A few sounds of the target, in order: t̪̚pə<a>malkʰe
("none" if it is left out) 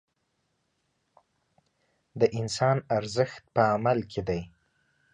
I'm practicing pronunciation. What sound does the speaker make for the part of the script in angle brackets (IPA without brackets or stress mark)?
a